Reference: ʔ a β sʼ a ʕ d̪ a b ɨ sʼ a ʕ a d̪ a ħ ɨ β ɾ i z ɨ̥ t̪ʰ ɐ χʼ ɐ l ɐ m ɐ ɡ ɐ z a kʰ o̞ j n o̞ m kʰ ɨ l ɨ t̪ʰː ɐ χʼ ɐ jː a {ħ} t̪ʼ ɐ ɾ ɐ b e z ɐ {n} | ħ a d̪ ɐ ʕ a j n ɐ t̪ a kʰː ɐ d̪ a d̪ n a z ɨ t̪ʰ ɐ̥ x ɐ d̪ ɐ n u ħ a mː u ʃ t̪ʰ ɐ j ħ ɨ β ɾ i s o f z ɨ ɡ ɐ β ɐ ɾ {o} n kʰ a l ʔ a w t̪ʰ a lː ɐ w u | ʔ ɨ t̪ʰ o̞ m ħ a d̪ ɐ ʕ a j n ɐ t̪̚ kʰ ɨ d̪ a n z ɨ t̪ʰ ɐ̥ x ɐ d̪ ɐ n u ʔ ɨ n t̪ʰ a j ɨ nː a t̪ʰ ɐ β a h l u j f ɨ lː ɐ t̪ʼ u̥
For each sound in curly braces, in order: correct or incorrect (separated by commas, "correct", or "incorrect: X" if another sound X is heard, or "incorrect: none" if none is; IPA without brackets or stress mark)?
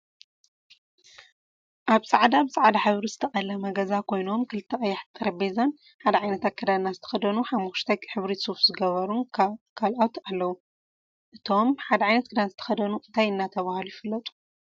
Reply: correct, correct, incorrect: u